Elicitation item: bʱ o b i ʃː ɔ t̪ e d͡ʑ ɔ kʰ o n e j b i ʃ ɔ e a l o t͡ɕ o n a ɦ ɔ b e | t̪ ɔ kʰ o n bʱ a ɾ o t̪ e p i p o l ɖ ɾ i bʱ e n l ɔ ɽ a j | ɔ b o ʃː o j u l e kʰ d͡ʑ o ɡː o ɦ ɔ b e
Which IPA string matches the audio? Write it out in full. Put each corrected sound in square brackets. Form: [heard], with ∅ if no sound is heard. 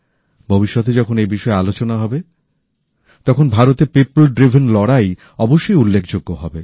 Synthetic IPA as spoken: bʱ o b i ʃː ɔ t̪ e d͡ʑ ɔ kʰ o n e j b i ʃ ɔ e a l o t͡ɕ o n a ɦ ɔ b e | t̪ ɔ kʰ o n bʱ a ɾ o t̪ e p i p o l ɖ ɾ i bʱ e n l ɔ ɽ a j | ɔ b o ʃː o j u [lː] e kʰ d͡ʑ o ɡː o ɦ ɔ b e